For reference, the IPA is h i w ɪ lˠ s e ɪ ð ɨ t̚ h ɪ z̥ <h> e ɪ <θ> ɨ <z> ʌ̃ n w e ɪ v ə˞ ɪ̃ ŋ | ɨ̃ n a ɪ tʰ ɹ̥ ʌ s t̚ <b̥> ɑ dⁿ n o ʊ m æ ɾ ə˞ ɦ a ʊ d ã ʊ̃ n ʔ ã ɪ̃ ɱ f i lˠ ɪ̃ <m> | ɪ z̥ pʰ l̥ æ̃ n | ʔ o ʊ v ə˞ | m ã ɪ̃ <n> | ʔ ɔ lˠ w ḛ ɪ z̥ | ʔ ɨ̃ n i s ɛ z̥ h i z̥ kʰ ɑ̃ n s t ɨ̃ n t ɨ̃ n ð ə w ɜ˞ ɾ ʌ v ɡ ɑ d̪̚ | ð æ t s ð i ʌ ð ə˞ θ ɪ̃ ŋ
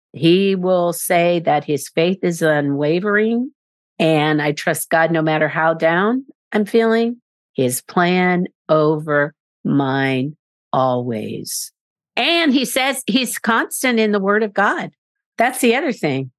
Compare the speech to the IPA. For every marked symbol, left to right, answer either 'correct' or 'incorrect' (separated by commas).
incorrect, correct, correct, incorrect, incorrect, correct